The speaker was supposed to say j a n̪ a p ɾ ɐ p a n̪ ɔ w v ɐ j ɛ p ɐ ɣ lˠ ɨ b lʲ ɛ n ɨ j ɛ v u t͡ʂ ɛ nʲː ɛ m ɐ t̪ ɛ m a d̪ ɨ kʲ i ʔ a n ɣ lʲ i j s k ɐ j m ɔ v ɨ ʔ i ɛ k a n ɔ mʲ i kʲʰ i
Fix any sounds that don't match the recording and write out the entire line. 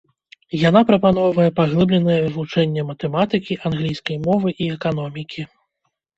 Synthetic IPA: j a n̪ a p ɾ ɐ p a n̪ ɔ w v ɐ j ɛ p a ɣ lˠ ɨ b lʲ ɛ n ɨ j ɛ v u t͡ʂ ɛ nʲː ɛ m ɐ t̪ ɛ m a t̪ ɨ kʲ i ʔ a n ɣ lʲ i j s k ɐ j m ɔ v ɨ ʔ i ɛ k a n ɔ mʲ i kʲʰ i